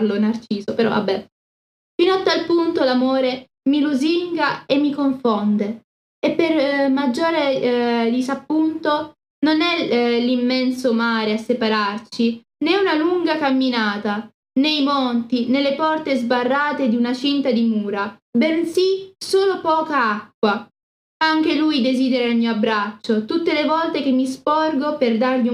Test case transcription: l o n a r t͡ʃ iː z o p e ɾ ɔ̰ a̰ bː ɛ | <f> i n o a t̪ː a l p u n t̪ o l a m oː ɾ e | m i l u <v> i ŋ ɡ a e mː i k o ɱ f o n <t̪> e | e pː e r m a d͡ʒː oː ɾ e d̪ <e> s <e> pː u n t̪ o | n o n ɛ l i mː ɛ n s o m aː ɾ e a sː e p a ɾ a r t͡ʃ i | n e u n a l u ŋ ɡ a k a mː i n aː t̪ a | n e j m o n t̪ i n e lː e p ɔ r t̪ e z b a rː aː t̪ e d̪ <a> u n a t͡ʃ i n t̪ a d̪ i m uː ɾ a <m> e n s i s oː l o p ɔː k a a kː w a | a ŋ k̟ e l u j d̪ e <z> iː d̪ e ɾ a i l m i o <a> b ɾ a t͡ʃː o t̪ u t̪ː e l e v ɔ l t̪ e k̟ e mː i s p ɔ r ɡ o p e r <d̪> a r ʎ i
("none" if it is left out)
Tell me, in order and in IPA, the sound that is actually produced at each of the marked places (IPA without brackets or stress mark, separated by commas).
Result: f, z, d̪, i, a, i, b, z, a, d̪